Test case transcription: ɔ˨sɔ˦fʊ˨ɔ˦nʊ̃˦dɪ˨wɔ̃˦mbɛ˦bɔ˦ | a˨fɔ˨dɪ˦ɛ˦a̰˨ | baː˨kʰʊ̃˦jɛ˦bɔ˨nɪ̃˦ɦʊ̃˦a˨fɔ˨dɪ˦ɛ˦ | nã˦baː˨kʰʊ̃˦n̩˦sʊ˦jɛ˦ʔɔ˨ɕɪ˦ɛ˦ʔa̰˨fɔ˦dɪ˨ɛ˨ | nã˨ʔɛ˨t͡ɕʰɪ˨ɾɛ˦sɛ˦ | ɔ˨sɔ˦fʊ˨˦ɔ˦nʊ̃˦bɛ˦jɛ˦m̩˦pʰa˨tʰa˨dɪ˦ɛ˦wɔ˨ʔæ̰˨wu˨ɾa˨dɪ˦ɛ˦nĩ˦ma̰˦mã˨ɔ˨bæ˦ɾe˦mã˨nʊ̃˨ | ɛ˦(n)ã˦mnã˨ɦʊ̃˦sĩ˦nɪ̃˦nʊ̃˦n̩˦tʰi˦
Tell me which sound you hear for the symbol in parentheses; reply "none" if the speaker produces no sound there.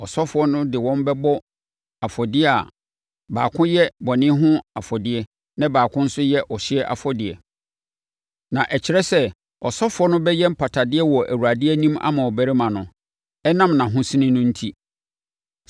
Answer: n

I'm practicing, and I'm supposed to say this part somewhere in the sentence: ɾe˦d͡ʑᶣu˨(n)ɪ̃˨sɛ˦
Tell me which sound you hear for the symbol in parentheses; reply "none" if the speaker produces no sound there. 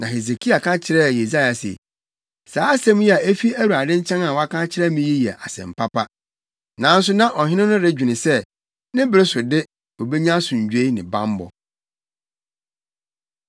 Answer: n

